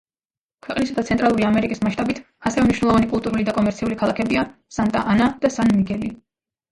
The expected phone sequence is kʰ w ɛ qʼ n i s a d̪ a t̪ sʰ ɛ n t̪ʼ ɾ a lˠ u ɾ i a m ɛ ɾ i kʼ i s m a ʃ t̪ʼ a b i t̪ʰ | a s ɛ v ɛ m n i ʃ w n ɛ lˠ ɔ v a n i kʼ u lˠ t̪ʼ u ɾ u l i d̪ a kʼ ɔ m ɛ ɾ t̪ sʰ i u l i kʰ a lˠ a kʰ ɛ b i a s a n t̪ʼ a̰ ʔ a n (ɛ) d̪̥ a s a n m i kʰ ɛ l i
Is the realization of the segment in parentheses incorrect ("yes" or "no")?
yes